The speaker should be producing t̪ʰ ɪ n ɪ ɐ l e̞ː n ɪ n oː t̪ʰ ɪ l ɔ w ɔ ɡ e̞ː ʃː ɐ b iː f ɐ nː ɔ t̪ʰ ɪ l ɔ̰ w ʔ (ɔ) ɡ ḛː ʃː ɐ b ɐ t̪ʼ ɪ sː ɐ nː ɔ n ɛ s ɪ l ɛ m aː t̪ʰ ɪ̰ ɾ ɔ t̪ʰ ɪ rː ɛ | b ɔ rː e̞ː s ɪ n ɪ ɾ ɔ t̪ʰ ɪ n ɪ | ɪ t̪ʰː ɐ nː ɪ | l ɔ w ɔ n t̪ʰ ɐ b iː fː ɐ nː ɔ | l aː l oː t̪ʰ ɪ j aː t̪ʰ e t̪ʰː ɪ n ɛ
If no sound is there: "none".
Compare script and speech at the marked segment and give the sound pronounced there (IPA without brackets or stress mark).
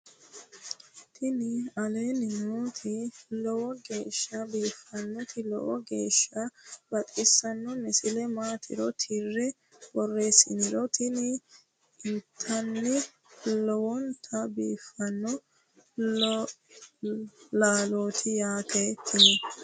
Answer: ɔ